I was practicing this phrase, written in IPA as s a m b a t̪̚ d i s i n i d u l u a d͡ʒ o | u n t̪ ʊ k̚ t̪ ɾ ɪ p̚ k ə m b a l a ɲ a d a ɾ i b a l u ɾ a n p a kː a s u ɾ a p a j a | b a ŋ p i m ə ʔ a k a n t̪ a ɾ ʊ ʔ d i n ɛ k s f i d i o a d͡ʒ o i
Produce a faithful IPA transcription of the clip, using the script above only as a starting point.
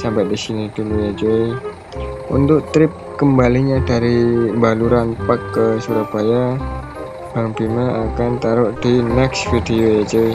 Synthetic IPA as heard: s a m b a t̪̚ d i s i n i d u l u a d͡ʒ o | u n t̪ ʊ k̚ t̪ ɾ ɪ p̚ k ə m b a l i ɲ a d a ɾ i b a l u ɾ a n p a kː ə s u ɾ a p a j a | b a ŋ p i m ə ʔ a k a n t̪ a ɾ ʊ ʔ d i n ɛ k s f i d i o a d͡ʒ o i